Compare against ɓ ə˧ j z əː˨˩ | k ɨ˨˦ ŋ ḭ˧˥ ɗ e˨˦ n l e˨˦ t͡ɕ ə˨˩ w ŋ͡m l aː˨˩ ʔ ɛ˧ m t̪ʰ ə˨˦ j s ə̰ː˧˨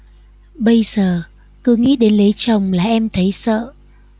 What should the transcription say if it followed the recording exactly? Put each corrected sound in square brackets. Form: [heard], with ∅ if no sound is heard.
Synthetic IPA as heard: ɓ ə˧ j z əː˨˩ | k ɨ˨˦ ŋ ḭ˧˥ ɗ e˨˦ n l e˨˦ t͡ɕ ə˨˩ w ŋ͡m l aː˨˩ ʔ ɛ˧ m t̪ʰ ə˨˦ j s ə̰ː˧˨